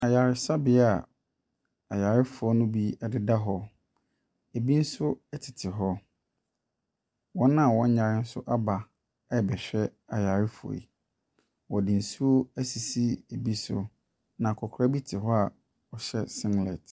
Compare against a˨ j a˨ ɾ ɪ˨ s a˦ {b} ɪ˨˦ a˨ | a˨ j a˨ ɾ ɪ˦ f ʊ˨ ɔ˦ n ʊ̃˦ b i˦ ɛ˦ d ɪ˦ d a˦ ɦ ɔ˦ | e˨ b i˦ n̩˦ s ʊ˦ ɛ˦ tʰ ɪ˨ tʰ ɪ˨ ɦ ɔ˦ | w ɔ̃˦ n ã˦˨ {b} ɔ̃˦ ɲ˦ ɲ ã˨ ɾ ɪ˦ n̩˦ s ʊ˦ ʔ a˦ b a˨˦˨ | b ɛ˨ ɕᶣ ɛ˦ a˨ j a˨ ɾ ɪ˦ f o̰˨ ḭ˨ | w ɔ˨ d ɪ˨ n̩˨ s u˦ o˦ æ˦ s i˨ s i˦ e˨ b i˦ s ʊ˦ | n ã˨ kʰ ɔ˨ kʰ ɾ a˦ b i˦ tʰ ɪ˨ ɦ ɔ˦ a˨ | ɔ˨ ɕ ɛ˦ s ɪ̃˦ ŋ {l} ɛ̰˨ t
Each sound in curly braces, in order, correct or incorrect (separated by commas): correct, incorrect, correct